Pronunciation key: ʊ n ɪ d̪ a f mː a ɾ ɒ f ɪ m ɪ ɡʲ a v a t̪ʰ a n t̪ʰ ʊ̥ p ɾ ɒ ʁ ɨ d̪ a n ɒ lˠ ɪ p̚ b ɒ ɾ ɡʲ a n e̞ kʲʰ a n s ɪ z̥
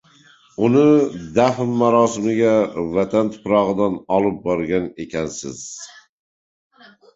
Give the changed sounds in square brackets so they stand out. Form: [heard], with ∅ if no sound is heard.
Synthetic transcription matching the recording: ʊ n ɪ d̪ a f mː a ɾ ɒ [s] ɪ m ɪ ɡʲ a v a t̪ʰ a n t̪ʰ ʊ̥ p ɾ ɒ ʁ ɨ d̪ a n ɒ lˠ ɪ p̚ b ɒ ɾ ɡʲ a n e̞ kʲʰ a n s ɪ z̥